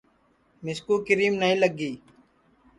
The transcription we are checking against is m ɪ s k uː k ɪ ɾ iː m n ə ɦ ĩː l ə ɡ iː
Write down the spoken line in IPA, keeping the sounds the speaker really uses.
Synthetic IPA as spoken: m ɪ s k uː k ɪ ɾ iː m n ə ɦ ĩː l ə ɡ iː